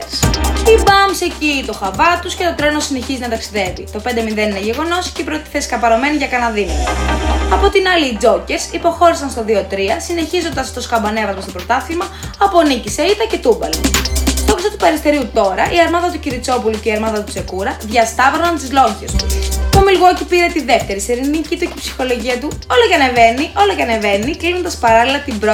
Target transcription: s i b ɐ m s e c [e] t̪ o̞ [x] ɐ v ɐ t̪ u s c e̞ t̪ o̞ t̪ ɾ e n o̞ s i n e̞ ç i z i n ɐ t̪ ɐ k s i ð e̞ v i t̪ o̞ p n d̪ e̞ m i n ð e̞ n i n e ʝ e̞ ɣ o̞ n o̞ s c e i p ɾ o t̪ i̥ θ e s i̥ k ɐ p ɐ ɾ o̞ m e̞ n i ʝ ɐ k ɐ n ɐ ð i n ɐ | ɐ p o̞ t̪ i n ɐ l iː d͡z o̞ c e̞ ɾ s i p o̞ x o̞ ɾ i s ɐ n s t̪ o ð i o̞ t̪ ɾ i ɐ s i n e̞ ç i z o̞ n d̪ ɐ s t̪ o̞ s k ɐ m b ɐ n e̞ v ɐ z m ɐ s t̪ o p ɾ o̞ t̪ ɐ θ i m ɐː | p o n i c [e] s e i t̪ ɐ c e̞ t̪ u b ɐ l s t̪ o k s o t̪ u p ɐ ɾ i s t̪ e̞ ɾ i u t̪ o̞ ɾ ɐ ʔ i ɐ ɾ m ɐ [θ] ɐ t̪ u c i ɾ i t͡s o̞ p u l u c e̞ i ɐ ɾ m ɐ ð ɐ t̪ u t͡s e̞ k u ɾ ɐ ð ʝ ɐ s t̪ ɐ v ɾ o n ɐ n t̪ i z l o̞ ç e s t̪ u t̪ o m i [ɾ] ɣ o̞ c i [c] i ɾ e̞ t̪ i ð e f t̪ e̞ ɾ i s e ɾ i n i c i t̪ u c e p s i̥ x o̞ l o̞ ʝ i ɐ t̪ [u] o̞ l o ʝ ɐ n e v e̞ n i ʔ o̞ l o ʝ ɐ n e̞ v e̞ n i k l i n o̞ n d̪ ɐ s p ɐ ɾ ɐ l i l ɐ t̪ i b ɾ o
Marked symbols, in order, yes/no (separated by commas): no, yes, no, no, no, no, yes